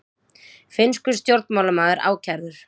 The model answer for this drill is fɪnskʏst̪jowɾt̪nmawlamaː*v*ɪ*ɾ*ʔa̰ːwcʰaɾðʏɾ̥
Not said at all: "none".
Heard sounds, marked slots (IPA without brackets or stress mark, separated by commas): ð, ɾ